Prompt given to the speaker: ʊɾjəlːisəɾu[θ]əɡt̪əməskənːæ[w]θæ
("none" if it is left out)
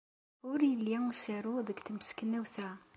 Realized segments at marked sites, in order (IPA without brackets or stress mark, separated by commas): ð, w